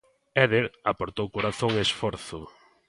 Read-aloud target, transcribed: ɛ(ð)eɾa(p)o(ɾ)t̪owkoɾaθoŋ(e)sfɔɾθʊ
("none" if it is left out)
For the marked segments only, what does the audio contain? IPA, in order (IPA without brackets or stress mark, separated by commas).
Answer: ð, p, ɾ, e